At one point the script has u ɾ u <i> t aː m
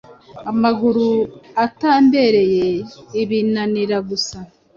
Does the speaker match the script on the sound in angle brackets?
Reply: no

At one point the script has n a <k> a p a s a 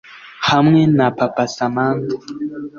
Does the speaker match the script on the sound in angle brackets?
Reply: no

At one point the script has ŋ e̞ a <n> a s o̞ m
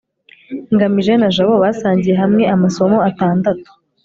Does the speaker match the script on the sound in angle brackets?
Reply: no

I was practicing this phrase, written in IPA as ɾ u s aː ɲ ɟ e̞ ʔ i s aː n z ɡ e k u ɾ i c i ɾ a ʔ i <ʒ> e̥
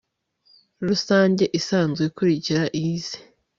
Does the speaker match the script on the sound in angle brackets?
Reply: no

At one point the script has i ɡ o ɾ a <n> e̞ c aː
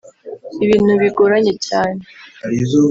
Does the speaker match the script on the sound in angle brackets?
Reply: no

